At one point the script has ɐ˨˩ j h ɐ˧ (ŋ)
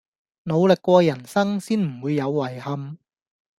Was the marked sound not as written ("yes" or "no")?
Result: yes